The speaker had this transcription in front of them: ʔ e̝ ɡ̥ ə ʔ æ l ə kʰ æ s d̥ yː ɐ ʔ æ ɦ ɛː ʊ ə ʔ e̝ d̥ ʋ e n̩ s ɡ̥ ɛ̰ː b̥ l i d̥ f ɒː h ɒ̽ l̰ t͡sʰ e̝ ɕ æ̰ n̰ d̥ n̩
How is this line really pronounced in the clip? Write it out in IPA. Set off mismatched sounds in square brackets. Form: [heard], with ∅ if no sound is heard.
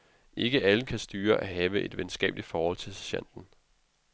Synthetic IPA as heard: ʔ e̝ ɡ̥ ə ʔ æ l ə kʰ æ s d̥ yː ɐ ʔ æ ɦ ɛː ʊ ə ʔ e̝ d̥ ʋ e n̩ s ɡ̥ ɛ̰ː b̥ l i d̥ f ɒː h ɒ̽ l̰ t͡sʰ e̝ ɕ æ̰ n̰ d̥ n̩